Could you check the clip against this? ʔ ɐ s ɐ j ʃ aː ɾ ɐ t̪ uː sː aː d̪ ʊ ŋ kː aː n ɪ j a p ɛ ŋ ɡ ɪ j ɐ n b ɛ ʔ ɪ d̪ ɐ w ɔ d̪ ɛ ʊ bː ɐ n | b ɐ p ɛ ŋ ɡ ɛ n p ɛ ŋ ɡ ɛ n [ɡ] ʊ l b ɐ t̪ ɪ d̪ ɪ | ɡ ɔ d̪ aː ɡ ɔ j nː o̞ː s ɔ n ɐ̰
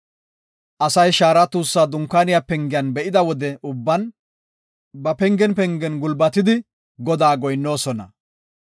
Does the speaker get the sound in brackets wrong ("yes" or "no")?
no